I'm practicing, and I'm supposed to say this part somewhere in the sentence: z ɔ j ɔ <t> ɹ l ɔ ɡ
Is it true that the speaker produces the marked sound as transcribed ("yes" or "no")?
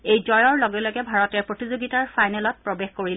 no